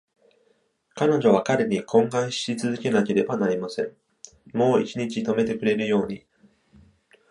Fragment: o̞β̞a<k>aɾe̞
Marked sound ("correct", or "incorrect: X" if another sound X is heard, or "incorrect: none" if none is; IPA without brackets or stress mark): correct